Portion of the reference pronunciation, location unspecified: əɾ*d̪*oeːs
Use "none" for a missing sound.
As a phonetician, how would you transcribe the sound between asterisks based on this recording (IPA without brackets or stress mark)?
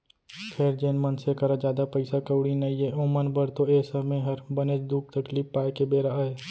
t̪